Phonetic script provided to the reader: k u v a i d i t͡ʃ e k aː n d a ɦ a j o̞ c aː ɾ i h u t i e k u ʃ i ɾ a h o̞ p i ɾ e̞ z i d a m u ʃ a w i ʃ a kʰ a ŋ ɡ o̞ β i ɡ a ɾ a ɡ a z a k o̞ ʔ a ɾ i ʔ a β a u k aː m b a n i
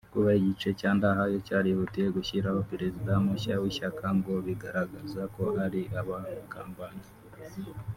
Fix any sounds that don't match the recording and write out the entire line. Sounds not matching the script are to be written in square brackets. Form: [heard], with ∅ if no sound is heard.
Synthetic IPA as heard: k u [β] a i [ɟ] i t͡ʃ e [c] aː n d a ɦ a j o̞ c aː ɾ i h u t i e [ɡ] u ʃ i ɾ a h o̞ p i ɾ e̞ z i d a m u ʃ a w i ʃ a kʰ a ŋ ɡ o̞ β i ɡ a ɾ a ɡ a z a k o̞ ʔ a ɾ i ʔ a β a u k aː m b a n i